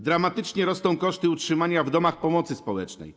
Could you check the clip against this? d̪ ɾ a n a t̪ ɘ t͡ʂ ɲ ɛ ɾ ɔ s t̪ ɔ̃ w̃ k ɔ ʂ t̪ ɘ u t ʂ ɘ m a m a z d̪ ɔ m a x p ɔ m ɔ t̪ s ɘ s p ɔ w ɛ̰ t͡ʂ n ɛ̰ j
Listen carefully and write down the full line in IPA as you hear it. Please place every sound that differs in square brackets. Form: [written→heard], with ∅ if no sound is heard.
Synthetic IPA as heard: d̪ ɾ a [n→m] a t̪ ɘ t͡ʂ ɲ ɛ ɾ ɔ s t̪ ɔ̃ w̃ k ɔ ʂ t̪ ɘ u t ʂ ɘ m a [m→ɲ] a [z→v] d̪ ɔ m a x p ɔ m ɔ t̪ s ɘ s p ɔ w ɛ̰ t͡ʂ n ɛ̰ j